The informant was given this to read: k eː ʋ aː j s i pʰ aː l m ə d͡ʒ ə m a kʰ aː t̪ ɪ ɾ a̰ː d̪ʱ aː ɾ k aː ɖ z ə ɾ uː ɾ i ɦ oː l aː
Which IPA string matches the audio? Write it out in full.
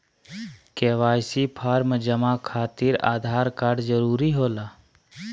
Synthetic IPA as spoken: k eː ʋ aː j s i pʰ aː ɾ m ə d͡ʒ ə m a kʰ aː t̪ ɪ ɾ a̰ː d̪ʱ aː ɾ k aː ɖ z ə ɾ uː ɾ i ɦ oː l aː